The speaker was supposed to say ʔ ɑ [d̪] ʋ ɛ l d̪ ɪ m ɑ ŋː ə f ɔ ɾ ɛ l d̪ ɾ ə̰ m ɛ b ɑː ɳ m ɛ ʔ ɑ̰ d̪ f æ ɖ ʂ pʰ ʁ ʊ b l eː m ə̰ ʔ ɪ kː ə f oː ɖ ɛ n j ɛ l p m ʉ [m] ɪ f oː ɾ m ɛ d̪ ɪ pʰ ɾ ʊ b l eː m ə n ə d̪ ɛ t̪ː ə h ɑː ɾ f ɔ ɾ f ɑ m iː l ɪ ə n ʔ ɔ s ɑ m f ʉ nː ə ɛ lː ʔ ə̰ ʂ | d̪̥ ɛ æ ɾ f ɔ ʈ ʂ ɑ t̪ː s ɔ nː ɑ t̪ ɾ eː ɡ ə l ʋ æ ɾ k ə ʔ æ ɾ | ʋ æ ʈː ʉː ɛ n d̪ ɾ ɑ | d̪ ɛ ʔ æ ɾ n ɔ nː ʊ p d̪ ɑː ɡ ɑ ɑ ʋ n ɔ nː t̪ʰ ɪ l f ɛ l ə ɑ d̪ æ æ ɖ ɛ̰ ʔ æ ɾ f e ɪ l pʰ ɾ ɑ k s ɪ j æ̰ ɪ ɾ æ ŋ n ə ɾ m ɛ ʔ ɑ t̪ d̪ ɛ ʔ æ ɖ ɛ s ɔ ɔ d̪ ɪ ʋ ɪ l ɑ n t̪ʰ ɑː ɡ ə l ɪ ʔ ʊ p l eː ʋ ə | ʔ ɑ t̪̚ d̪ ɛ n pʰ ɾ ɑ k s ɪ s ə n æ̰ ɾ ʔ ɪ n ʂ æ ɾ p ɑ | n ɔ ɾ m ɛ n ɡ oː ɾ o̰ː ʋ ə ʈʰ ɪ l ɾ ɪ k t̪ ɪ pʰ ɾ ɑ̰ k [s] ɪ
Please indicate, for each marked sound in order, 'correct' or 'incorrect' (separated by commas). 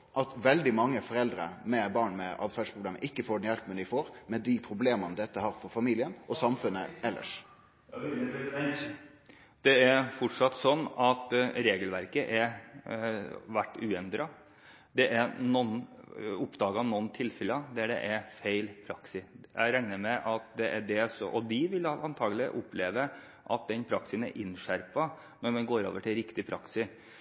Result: incorrect, incorrect, correct